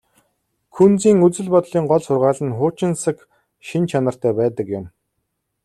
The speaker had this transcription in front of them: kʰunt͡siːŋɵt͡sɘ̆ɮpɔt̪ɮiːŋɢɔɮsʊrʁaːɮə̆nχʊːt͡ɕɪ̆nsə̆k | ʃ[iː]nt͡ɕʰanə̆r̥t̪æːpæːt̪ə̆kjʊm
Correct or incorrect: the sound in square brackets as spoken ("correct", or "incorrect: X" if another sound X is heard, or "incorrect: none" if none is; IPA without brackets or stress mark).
incorrect: i